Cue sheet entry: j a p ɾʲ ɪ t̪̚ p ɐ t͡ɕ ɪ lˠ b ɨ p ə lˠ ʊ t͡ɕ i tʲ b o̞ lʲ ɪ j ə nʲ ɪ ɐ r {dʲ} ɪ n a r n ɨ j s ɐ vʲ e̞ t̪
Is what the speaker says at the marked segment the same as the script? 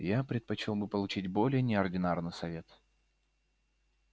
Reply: yes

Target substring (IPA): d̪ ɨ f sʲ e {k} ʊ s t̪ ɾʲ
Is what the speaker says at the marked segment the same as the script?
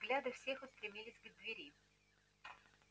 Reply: no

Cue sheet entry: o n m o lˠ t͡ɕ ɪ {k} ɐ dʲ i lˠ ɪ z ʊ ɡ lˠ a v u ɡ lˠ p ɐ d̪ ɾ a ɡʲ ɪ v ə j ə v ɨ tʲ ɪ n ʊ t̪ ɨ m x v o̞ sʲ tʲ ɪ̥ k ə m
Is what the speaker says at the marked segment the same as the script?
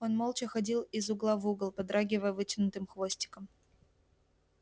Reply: no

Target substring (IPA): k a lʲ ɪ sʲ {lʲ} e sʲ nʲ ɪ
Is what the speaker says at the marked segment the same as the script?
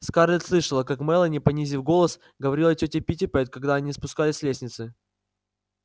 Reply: yes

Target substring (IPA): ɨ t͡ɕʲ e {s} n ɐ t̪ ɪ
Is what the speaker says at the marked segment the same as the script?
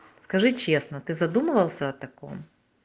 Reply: yes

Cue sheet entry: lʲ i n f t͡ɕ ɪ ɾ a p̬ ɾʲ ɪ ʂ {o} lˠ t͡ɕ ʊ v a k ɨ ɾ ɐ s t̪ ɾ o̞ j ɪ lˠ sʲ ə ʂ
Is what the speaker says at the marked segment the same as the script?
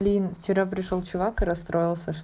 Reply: yes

